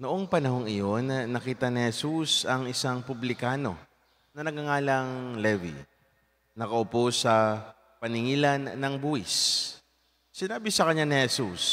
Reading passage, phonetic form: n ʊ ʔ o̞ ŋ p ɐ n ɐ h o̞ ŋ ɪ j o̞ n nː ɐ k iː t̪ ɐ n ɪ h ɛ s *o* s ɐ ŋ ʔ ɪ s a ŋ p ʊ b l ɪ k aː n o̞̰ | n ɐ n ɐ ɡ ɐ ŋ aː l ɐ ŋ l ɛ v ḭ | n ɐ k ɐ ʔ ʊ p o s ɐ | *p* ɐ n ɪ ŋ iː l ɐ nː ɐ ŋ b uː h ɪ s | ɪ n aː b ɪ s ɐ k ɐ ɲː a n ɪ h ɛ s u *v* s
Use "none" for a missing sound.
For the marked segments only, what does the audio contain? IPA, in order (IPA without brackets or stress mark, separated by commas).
u, p, none